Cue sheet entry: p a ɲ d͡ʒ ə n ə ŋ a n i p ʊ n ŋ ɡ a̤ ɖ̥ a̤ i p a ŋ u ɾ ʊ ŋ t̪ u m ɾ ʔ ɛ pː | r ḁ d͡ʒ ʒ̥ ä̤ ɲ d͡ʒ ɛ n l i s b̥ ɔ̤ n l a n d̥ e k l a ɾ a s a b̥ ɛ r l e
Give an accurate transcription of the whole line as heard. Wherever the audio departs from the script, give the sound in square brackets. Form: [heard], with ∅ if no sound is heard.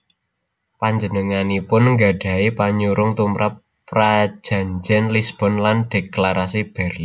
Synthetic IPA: p a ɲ d͡ʒ ə n ə ŋ a n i p ʊ n ŋ ɡ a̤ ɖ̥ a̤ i p a [ɲ] u ɾ ʊ ŋ t̪ u m ɾ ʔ [a] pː | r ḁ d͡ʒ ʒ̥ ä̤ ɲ d͡ʒ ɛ n l i s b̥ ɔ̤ n l a n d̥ e k l a ɾ a s [i] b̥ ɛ r l [i]